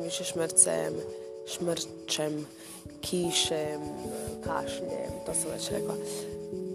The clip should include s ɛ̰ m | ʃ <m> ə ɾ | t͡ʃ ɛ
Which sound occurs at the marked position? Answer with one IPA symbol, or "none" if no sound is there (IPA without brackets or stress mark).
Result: m